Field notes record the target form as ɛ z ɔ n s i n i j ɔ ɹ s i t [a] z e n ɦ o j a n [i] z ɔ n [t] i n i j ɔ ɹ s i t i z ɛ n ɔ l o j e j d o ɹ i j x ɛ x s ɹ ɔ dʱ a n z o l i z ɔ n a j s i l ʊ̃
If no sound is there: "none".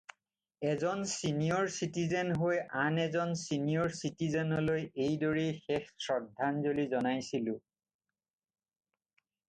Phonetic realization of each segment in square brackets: i, ɛ, s

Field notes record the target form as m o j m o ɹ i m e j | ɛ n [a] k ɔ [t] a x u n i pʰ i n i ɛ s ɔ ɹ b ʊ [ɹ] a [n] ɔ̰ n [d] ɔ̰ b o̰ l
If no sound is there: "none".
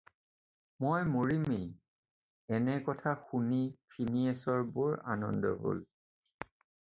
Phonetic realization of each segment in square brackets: ɛ, tʰ, ɹ, n, d

